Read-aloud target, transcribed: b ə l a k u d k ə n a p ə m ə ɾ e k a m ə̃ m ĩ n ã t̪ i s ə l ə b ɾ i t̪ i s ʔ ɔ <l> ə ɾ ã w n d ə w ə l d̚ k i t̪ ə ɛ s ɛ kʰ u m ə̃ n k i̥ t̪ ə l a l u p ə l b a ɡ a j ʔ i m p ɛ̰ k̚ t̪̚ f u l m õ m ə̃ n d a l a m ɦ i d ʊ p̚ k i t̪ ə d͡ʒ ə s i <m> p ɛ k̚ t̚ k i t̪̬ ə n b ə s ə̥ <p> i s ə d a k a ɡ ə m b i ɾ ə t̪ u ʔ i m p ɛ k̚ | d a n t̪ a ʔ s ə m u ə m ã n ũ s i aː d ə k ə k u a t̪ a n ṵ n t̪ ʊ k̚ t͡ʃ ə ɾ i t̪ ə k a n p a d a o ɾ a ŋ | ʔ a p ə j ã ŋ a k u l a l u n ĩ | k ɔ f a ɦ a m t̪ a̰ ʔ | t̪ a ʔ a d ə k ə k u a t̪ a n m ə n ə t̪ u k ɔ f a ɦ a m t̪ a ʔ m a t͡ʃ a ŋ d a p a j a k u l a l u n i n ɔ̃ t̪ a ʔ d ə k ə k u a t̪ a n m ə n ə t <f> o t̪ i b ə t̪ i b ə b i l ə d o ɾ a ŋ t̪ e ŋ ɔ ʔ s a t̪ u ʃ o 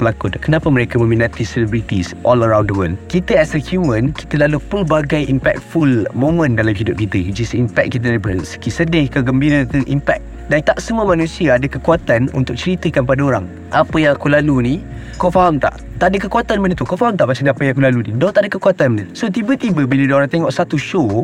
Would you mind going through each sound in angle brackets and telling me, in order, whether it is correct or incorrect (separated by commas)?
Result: correct, correct, incorrect, incorrect